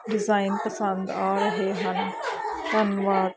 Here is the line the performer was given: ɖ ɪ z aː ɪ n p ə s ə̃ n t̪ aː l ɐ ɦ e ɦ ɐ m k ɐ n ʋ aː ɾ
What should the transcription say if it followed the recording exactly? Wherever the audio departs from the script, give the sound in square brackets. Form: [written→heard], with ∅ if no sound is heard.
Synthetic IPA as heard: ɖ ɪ z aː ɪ n p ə s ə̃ n [t̪→d̪] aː [l→ɾ] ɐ ɦ e ɦ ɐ [m→n] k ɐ n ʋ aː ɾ

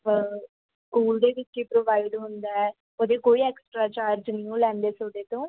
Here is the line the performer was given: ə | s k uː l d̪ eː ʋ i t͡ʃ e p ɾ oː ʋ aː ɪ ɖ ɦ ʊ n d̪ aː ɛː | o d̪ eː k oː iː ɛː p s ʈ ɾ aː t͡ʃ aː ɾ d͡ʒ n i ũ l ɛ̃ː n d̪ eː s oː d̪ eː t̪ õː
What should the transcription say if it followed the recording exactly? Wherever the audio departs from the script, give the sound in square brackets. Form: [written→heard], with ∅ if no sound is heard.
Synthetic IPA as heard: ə | s k uː l d̪ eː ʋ [i→ɪ] t͡ʃ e p ɾ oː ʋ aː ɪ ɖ ɦ ʊ n d̪ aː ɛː | o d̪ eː k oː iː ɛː [p→k] s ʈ ɾ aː t͡ʃ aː ɾ d͡ʒ n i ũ l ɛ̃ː n d̪ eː s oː d̪ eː t̪ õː

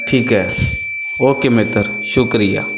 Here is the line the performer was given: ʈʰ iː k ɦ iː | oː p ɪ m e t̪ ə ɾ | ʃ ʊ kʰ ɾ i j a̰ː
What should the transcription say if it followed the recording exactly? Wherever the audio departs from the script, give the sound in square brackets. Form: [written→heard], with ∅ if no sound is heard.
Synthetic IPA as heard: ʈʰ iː k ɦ [iː→ɛː] | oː [p→k] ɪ m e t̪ ə ɾ | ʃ ʊ [kʰ→k] ɾ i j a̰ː

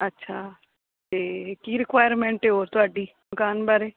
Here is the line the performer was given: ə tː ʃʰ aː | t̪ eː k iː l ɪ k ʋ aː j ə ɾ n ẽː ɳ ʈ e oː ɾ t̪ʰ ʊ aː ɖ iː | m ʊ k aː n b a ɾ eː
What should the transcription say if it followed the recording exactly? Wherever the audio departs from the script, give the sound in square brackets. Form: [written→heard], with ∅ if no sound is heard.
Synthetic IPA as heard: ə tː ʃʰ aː | t̪ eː k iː [l→ɾ] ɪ k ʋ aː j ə ɾ [n→m] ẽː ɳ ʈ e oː ɾ [t̪ʰ→t̪] ʊ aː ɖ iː | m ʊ k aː n b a ɾ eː

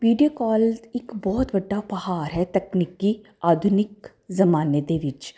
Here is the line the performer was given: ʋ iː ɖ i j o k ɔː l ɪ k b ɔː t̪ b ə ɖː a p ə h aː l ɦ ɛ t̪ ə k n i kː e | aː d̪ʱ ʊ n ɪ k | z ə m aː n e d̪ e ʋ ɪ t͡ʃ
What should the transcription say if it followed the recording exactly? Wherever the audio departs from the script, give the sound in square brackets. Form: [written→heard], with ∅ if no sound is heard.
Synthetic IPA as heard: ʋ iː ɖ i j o k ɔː l ɪ k b ɔː t̪ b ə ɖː a p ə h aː [l→ɾ] ɦ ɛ t̪ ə k n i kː [e→i] | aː d̪ʱ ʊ n ɪ k | z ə m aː n e d̪ e ʋ ɪ t͡ʃ

